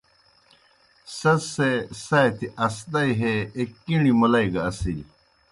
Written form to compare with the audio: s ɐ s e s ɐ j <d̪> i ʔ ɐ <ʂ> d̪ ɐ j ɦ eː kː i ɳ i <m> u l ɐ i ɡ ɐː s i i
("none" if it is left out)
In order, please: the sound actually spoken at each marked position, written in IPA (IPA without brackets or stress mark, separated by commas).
t̪, s, m